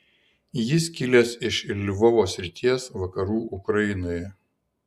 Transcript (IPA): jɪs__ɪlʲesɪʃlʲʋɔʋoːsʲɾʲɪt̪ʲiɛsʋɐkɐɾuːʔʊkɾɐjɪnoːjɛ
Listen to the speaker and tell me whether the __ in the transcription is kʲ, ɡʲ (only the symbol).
kʲ